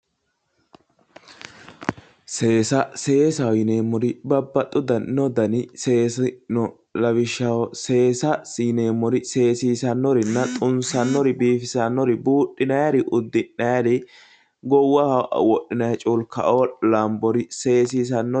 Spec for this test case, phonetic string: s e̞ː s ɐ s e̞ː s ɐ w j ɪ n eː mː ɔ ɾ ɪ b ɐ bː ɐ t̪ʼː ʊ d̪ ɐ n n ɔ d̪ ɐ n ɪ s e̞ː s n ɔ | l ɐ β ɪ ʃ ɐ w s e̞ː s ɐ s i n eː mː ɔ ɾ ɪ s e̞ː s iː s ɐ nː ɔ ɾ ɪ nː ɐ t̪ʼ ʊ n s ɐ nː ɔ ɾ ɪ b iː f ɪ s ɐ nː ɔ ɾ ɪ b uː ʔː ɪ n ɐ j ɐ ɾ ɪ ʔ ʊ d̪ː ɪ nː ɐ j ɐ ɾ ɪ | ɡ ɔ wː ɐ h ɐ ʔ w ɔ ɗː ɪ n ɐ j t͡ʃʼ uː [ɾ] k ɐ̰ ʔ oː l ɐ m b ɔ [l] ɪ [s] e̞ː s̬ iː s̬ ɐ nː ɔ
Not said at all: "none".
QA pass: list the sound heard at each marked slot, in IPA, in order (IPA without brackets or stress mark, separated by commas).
l, ɾ, s